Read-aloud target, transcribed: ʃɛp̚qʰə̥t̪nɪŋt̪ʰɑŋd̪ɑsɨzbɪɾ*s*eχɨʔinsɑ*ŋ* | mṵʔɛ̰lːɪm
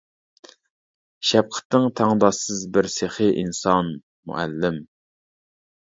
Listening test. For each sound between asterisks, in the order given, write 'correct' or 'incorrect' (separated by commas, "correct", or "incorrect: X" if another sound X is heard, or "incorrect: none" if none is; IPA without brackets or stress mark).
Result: correct, incorrect: n